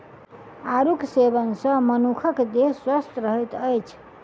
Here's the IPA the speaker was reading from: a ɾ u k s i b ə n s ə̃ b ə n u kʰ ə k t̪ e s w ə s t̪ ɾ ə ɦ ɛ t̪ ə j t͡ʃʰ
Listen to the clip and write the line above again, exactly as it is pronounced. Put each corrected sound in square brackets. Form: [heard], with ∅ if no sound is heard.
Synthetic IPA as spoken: a ɾ u k s [e] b ə n s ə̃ [m] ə n u kʰ ə k [d̪] e s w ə s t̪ ɾ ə ɦ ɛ t̪ ə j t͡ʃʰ